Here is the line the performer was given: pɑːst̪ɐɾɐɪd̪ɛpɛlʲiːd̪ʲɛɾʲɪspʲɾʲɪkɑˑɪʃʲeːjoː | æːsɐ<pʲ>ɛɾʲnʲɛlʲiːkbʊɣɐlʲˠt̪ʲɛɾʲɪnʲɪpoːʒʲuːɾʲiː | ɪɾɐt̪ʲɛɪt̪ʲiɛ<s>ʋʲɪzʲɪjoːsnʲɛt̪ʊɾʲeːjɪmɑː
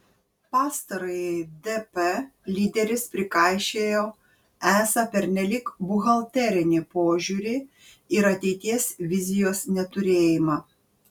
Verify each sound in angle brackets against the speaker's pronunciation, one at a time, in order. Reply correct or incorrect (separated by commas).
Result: correct, correct